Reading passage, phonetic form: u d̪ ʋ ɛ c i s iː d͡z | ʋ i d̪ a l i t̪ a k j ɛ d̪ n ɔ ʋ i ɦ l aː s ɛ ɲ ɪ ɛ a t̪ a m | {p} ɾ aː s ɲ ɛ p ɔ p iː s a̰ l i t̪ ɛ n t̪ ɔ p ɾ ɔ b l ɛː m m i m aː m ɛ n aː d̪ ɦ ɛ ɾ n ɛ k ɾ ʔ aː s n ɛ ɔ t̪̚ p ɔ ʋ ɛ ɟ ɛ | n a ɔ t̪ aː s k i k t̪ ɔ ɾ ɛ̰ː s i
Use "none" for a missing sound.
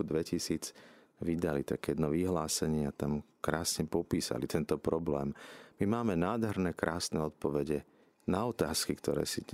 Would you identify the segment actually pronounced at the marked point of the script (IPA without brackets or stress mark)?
k